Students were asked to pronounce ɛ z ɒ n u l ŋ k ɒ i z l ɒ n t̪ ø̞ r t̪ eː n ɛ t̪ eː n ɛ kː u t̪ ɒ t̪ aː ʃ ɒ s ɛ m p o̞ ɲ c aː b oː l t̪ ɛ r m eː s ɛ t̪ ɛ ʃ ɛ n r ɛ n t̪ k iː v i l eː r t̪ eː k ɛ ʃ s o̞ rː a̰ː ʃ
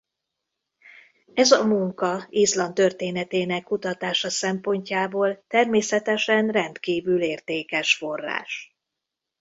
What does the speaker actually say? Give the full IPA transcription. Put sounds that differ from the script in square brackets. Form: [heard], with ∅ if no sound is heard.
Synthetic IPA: ɛ z ɒ [m] u [∅] ŋ k ɒ i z l ɒ n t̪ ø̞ r t̪ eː n ɛ t̪ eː n ɛ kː u t̪ ɒ t̪ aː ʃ ɒ s ɛ m p o̞ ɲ c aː b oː l t̪ ɛ r m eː s ɛ t̪ ɛ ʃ ɛ n r ɛ n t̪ k iː v [y] l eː r t̪ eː k ɛ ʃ [f] o̞ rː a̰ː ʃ

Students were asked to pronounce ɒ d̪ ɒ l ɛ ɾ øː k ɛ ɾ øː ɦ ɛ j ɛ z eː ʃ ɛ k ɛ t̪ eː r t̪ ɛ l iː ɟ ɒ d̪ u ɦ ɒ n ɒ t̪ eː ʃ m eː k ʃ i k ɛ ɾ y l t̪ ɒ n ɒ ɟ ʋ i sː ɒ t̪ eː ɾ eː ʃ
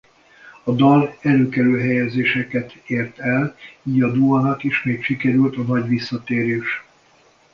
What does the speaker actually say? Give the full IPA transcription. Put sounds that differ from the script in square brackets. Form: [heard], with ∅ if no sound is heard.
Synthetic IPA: ɒ d̪ ɒ l ɛ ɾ øː k ɛ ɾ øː ɦ ɛ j ɛ z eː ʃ ɛ k ɛ t̪ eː r t̪ ɛ l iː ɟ ɒ d̪ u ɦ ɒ n ɒ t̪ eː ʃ m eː k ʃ i k ɛ ɾ y l t̪ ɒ n ɒ ɟ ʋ i sː ɒ t̪ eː ɾ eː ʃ

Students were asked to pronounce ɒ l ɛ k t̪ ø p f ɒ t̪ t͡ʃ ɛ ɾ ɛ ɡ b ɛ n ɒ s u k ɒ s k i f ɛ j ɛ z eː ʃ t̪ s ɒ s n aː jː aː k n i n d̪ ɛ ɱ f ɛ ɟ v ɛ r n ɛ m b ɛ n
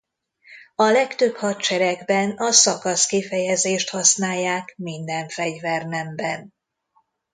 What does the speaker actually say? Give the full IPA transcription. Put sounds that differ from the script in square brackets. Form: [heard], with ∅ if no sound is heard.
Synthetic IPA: ɒ l ɛ k t̪ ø p [h] ɒ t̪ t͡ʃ ɛ ɾ ɛ ɡ b ɛ n ɒ s [ɒ] k ɒ s k i f ɛ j ɛ z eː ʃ t̪ [h] ɒ s n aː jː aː k [m] i n d̪ ɛ ɱ f ɛ ɟ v ɛ r n ɛ m b ɛ n

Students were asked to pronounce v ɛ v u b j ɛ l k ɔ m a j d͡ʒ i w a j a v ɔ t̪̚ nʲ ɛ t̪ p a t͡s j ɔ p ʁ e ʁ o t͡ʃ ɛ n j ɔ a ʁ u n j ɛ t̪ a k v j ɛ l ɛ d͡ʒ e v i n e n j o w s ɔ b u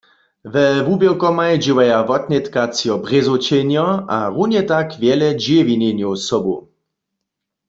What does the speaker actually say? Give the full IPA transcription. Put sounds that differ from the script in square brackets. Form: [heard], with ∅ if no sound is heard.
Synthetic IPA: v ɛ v u b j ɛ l k ɔ m a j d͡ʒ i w a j a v ɔ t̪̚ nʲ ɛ t̪ [k] a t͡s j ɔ [b] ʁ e [z] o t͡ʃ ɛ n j ɔ a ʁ u n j ɛ t̪ a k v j ɛ l ɛ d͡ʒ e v i n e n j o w s ɔ b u

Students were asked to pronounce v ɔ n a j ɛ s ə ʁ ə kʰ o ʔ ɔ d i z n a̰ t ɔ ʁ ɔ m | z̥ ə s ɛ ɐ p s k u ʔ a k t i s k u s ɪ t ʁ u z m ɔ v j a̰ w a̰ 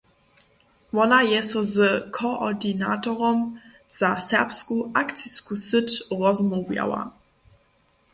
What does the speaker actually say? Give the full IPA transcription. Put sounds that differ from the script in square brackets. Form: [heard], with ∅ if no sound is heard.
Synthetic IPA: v ɔ n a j ɛ s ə [z] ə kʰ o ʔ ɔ d i [∅] n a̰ t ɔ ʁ ɔ m | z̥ [a] s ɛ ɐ p s k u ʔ a k [t͡s] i s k u s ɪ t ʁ [ɔ] z m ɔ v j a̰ w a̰

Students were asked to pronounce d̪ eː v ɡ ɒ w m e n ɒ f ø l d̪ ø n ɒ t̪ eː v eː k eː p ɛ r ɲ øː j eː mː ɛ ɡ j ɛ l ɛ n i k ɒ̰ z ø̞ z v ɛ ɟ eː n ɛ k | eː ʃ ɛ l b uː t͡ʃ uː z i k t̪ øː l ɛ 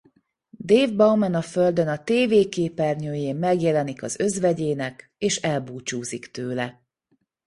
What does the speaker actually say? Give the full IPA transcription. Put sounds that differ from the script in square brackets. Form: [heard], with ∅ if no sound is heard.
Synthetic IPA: d̪ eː v [b] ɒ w m [ɛ] n ɒ f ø l d̪ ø n ɒ t̪ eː v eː k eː p ɛ r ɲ øː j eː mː ɛ ɡ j ɛ l ɛ n i k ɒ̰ z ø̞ z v ɛ ɟ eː n ɛ k | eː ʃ ɛ l b uː t͡ʃ uː z i k t̪ øː l ɛ

